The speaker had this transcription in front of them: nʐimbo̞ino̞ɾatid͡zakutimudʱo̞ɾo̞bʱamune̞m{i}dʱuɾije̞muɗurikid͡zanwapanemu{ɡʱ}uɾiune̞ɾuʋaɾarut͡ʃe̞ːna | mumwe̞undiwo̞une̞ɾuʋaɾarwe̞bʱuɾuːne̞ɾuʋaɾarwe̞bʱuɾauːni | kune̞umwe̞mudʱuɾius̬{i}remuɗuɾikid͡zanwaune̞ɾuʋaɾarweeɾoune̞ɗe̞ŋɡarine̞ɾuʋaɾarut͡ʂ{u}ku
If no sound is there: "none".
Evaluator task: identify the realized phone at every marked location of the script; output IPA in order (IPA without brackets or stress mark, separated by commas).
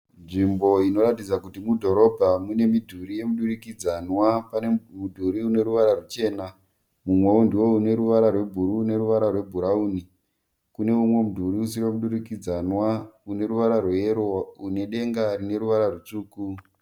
i, dʱ, i, uː